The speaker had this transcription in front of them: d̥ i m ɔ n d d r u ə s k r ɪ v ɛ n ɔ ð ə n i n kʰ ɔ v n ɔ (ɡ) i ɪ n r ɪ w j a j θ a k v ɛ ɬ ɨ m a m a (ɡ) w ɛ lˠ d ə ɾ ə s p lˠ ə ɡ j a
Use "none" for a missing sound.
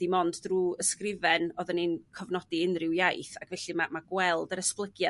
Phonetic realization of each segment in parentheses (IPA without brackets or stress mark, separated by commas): d, ɡ